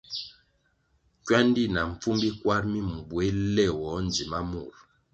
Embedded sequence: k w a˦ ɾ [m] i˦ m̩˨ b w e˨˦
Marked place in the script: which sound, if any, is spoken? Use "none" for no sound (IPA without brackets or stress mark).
m